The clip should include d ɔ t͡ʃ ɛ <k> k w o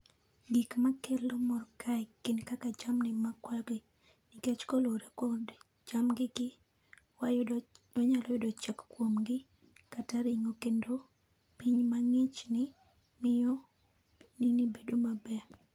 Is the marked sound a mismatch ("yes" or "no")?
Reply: no